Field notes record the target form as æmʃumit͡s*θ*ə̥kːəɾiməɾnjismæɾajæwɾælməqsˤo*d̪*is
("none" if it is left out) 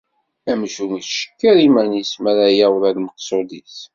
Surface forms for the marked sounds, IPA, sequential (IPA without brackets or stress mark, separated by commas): ʃ, d̪